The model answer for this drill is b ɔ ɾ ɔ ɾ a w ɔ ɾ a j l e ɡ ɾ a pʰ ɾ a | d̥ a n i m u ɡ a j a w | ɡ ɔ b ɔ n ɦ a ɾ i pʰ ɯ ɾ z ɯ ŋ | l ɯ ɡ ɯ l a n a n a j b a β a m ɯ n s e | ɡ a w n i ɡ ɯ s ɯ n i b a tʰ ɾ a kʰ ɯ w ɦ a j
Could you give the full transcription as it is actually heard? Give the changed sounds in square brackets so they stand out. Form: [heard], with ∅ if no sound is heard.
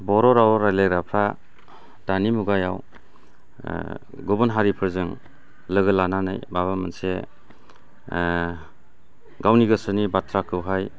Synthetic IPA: b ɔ ɾ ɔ ɾ a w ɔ ɾ a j l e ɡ ɾ a pʰ ɾ a | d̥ a n i m u ɡ a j a w | ɡ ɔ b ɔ n ɦ a ɾ i pʰ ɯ ɾ z ɯ ŋ | l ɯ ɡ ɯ l a n a n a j b a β a m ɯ n s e | ɡ a w n i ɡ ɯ s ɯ n i b a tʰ ɾ a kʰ ɯ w ɦ a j